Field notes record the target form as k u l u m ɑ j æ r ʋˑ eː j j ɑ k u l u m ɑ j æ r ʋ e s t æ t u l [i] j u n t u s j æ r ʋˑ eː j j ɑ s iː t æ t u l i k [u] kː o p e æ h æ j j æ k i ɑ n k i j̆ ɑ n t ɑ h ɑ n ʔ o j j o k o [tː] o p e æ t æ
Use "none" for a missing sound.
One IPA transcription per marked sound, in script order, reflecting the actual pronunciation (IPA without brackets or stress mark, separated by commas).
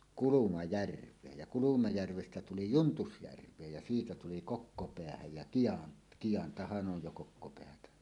i, o, kː